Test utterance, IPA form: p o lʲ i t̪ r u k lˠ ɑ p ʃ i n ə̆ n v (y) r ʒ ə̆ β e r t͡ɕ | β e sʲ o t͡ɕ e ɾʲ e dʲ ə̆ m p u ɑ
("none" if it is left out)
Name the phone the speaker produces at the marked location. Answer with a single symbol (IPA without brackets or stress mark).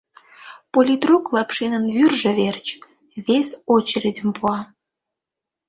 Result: y